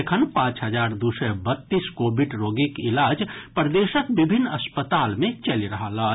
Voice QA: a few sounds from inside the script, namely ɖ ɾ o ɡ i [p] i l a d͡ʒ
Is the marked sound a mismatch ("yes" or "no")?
yes